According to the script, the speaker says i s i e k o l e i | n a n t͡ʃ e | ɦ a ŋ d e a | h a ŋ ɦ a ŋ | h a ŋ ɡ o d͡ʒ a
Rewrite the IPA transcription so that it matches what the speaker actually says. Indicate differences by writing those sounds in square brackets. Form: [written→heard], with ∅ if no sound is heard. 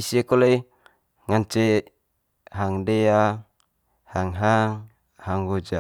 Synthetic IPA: i s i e k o l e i | [n→ŋ] a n t͡ʃ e | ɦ a ŋ d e a | h a ŋ ɦ a ŋ | h a ŋ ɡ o d͡ʒ a